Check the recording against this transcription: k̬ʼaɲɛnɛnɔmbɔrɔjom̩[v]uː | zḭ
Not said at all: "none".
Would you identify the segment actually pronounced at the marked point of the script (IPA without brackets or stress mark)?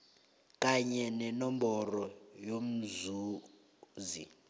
z